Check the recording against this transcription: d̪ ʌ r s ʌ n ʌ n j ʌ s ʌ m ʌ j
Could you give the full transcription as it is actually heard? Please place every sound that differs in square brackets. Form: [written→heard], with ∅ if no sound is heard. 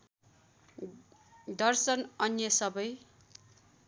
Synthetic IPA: d̪ ʌ r s ʌ n ʌ n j ʌ s ʌ [m→b] ʌ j